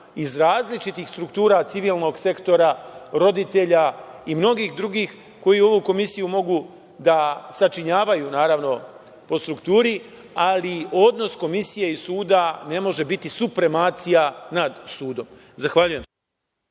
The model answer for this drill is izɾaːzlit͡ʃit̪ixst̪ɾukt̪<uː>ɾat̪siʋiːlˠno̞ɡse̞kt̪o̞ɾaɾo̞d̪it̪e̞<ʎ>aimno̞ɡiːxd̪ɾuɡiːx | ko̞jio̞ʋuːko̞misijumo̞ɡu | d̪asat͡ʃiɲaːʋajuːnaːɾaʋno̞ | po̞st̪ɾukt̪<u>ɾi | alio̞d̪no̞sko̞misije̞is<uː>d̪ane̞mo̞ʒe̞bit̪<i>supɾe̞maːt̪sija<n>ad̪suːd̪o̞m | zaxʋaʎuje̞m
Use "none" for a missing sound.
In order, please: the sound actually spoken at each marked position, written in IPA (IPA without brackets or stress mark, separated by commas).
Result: uː, ʎ, uː, uː, i, n